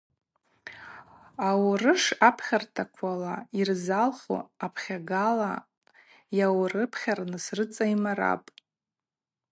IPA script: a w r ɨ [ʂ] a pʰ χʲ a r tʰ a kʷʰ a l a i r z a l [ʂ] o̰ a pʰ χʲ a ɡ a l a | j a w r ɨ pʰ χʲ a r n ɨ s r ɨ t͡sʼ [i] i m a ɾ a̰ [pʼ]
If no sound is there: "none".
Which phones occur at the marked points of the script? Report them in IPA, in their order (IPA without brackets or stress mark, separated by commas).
ʂ, χ, a, pʼ